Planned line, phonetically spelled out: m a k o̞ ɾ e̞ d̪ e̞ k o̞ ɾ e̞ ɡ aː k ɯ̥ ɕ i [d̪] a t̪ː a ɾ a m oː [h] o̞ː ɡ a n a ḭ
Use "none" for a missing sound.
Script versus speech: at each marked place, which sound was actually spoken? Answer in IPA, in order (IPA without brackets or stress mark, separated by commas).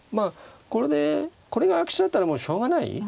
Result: d̪, ɕ